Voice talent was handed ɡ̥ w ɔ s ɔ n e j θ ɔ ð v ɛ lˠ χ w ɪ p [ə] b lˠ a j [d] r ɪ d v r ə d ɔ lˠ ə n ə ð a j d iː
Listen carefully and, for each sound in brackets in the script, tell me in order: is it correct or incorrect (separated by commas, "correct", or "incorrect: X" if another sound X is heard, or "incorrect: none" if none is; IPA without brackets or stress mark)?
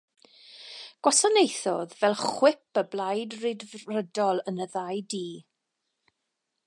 correct, correct